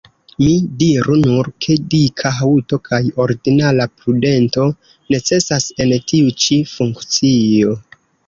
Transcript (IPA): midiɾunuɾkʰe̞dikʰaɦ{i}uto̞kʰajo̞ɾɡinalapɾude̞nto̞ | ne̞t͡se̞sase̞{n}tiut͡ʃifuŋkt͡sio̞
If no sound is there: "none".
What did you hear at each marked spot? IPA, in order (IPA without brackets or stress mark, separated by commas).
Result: a, n